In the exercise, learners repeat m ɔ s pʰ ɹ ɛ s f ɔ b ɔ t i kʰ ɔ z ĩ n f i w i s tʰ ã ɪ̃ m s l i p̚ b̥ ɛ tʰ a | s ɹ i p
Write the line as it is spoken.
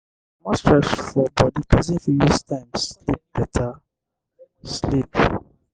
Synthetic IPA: m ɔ s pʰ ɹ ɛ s f ɔ b ɔ d i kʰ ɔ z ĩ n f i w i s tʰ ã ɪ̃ m s l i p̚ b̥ ɛ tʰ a | s l i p